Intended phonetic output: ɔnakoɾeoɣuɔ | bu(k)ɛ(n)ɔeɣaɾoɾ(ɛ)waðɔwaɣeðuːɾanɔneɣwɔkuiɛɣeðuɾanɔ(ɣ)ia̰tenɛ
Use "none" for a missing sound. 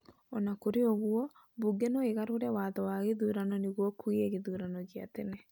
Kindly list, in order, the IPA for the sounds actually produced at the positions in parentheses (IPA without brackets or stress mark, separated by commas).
ɡ, n, ɛ, ɣ